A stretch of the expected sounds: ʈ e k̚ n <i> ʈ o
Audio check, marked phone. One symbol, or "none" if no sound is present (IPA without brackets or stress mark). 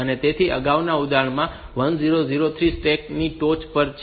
i